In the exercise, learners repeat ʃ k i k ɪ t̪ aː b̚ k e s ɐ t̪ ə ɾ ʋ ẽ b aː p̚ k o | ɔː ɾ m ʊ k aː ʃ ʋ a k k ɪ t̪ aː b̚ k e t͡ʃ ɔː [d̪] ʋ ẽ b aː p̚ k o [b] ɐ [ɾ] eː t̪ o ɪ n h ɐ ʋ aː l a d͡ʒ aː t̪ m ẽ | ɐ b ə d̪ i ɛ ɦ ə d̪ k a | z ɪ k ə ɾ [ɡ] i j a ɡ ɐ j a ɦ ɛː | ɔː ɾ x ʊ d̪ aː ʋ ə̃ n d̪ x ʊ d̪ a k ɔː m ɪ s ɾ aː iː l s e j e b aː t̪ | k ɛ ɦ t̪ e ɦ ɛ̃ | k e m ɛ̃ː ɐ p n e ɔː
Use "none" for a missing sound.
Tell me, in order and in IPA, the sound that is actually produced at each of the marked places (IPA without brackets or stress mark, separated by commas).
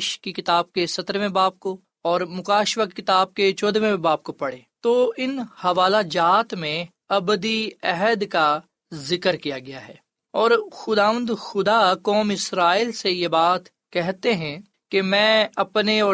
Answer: d̪, p, ɽ, k